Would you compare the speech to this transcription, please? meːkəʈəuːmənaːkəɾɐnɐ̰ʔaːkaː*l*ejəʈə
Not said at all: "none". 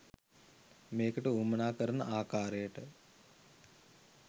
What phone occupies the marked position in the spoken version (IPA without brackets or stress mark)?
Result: ɾ